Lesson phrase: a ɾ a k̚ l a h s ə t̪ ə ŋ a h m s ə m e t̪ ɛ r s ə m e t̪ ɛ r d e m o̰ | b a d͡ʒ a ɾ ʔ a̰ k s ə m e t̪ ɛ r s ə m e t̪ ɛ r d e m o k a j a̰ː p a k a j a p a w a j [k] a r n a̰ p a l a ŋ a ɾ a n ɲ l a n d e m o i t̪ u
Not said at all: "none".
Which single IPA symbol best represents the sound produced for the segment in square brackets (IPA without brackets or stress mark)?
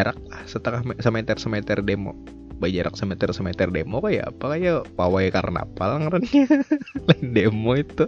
k